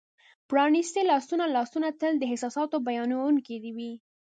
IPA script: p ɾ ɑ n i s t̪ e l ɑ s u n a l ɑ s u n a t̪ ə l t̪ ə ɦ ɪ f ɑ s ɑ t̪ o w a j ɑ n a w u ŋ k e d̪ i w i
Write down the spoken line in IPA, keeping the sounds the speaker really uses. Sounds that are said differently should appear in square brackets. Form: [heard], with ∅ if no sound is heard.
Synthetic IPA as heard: p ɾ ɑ n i s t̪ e l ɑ s u n a l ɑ s u n a t̪ ə l [d̪] ə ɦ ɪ [s] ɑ s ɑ t̪ o [b] a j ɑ n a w u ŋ k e d̪ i w i